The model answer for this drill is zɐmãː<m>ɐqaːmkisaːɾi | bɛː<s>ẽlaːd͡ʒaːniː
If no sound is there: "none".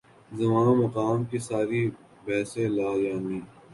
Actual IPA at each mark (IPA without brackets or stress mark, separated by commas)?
m, s